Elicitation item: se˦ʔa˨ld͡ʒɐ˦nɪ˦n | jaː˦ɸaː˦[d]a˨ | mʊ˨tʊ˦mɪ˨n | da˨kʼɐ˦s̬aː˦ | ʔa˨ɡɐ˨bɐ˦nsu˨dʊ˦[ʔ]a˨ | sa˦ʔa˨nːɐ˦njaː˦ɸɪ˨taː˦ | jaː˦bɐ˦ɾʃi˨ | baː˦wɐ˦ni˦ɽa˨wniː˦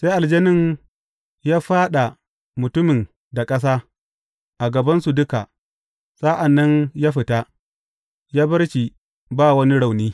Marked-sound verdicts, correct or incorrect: incorrect, incorrect

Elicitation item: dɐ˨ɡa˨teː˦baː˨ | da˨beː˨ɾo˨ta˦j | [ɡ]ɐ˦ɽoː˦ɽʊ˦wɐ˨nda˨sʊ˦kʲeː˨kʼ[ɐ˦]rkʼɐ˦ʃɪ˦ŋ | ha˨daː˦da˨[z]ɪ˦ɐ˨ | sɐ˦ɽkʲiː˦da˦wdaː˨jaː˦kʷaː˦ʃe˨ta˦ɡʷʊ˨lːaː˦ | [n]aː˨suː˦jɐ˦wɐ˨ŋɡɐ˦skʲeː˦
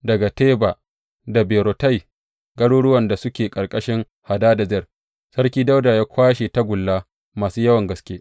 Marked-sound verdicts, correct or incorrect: correct, incorrect, correct, incorrect

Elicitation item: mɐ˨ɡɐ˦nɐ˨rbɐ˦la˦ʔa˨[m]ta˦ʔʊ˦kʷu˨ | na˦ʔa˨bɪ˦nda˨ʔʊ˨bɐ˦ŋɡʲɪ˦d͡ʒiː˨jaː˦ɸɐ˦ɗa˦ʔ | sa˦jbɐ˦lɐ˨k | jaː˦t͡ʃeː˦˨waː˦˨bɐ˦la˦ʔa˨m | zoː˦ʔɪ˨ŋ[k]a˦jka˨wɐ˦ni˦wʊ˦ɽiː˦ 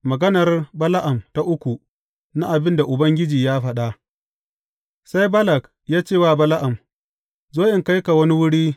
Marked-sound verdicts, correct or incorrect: correct, correct

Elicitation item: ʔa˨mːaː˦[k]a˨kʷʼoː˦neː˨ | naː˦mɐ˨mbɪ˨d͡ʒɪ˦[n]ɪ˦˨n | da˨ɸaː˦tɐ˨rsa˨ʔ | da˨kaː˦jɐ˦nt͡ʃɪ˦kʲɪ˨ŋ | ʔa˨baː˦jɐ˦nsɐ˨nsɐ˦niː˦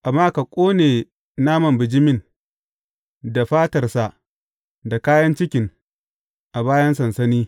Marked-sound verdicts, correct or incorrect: correct, incorrect

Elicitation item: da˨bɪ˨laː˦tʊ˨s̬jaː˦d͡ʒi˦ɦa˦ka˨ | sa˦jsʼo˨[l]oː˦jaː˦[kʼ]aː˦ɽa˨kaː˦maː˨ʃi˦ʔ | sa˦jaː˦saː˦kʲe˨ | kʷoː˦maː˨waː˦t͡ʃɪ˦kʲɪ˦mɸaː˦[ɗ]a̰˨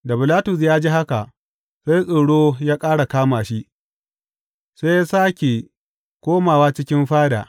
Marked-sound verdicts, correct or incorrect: incorrect, correct, incorrect

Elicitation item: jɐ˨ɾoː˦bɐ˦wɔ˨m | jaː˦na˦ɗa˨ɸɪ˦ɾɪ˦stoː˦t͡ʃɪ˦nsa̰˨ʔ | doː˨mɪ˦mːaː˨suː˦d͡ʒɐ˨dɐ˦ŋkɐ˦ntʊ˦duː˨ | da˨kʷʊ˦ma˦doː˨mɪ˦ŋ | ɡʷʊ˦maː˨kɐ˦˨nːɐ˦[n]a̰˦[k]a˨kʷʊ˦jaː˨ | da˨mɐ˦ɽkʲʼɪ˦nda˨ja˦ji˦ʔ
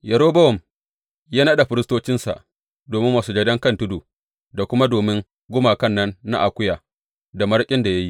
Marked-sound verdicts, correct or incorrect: incorrect, incorrect

